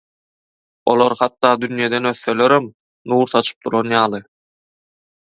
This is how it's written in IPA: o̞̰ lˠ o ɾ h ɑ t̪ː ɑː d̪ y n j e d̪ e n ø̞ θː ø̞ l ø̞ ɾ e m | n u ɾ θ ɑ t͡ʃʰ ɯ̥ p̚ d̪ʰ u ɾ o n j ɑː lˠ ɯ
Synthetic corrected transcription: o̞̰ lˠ o ɾ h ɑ t̪ː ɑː d̪ y n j e d̪ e n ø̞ θː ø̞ l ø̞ ɾ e m | n uː ɾ θ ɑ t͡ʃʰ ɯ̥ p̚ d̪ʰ u ɾ o n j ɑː lˠ ɯ